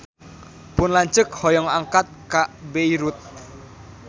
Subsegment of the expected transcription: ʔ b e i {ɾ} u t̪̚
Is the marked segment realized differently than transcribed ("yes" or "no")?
no